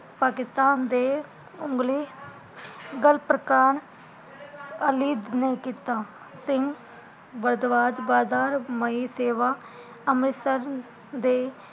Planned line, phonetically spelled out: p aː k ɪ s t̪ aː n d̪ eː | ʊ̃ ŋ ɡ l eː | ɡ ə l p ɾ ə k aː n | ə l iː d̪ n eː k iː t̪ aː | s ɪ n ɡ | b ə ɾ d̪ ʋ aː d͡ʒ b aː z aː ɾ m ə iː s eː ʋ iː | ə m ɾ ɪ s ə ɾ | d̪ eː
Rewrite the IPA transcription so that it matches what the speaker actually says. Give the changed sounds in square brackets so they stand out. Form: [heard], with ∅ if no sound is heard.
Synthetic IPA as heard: p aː k ɪ s t̪ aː n d̪ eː | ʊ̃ ŋ ɡ l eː | ɡ ə l p ɾ ə k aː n | ə l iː d̪ n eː k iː t̪ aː | s ɪ [ŋ] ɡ | b ə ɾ d̪ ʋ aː d͡ʒ b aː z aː ɾ m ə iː s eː ʋ [aː] | ə m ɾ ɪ s ə ɾ | d̪ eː